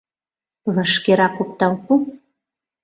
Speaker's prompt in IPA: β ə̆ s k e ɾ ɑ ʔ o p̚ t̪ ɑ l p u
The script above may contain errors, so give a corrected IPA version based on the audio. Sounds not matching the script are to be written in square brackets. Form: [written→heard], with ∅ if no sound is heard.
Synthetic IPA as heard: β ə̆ [s→ʃ] k e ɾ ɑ [ʔ→k] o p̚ t̪ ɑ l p u